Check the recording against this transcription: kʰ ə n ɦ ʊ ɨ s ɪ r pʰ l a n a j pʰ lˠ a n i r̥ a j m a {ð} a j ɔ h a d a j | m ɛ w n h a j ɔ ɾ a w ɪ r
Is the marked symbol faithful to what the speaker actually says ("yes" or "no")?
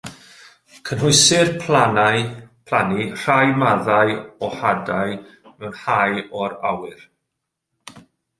yes